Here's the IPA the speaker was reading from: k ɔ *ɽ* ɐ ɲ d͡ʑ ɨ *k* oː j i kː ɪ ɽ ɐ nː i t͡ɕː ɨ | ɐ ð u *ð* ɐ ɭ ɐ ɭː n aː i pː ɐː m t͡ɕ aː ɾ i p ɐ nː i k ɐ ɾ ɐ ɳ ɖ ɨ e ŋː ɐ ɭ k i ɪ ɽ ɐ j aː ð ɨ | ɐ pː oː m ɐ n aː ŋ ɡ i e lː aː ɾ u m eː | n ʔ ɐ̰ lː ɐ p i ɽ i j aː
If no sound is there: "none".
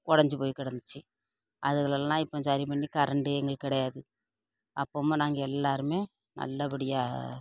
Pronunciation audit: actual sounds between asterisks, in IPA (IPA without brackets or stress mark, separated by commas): ɽ, p, ɣ